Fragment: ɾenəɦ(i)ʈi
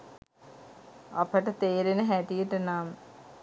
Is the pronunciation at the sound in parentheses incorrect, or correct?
incorrect